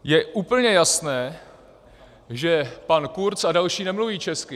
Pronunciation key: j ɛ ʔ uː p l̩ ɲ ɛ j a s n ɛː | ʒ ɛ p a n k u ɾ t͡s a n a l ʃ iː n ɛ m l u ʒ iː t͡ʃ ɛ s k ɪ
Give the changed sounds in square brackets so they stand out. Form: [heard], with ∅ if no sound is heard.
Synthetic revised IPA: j ɛ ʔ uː p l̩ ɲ ɛ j a s n ɛː | ʒ ɛ p a n k u ɾ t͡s a [d] a l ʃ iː n ɛ m l u [v] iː t͡ʃ ɛ s k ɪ